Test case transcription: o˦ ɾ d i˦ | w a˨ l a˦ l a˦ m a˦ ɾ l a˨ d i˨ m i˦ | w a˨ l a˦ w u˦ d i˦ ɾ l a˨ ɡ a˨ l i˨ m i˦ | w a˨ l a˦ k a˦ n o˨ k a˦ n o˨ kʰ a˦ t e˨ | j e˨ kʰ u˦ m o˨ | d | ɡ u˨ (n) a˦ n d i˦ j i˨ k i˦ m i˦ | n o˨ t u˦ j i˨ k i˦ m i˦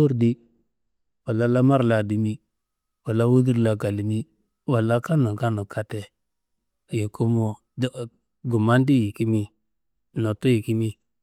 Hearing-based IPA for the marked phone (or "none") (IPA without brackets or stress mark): m